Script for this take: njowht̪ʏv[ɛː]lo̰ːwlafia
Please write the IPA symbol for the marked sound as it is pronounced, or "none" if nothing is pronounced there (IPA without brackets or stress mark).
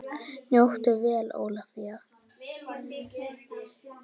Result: ɛː